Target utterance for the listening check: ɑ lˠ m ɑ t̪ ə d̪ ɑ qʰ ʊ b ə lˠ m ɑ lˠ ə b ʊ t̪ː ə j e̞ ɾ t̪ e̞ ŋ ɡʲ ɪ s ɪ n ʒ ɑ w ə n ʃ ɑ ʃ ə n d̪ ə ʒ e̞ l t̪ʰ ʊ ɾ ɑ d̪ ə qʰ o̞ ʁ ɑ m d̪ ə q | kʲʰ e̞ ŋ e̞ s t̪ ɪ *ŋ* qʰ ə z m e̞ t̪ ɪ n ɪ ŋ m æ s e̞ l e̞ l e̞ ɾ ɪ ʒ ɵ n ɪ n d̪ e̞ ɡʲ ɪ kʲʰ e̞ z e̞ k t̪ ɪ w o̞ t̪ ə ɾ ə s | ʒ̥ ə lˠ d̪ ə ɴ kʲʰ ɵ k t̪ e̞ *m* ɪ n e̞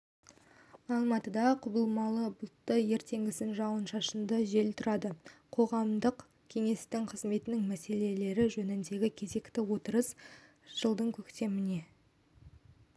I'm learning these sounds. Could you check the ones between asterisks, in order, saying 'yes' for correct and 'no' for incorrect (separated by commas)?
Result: yes, yes